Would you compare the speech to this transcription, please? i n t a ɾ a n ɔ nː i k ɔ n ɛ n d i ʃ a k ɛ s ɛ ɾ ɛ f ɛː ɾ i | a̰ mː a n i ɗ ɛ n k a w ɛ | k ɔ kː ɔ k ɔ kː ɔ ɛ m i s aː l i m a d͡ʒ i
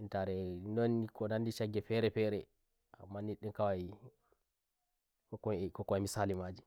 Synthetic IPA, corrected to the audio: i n t a ɾ ɛ n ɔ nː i k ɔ n a n d i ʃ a ɡ ɛ f ɛ ɾ ɛ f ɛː ɾ ɛ | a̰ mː a n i ɗ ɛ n k a w a | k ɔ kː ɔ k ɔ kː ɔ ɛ m i s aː l i m a d͡ʒ i